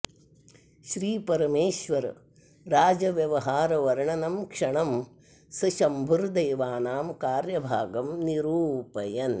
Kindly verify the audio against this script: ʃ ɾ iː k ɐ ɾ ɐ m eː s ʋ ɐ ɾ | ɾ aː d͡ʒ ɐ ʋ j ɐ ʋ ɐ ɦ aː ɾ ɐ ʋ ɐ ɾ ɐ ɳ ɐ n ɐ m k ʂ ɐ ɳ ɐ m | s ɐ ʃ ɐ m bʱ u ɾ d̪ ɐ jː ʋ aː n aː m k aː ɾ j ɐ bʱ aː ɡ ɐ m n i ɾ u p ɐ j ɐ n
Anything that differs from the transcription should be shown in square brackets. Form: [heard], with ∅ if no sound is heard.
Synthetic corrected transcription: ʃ ɾ iː [p] ɐ ɾ ɐ m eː [ʃ] ʋ ɐ ɾ | ɾ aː d͡ʒ ɐ ʋ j ɐ ʋ ɐ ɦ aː ɾ ɐ ʋ ɐ ɾ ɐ ɳ ɐ n ɐ m k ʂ ɐ ɳ ɐ m | s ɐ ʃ ɐ m bʱ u ɾ d̪ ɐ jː ʋ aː n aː m k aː ɾ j ɐ bʱ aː ɡ ɐ m n i ɾ [uː] p ɐ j ɐ n